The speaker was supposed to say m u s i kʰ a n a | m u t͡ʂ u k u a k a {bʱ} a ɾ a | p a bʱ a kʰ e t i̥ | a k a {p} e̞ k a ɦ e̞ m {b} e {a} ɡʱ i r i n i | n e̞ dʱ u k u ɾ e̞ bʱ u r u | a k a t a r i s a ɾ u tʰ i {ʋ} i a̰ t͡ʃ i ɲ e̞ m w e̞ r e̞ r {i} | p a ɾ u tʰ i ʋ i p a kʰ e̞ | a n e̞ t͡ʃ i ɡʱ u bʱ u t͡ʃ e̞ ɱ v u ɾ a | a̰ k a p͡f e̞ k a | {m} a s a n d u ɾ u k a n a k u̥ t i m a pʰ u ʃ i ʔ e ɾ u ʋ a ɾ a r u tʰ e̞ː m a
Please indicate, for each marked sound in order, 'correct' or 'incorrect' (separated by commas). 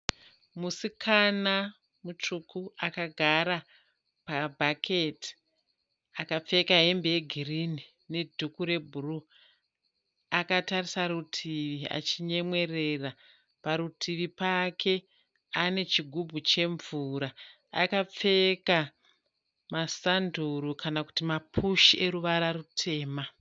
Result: incorrect, incorrect, correct, incorrect, correct, incorrect, correct